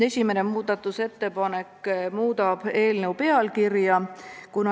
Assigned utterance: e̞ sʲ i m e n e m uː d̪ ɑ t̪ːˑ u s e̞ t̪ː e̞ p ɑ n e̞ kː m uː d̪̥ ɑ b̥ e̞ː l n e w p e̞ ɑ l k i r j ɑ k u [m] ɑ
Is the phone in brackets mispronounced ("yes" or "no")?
yes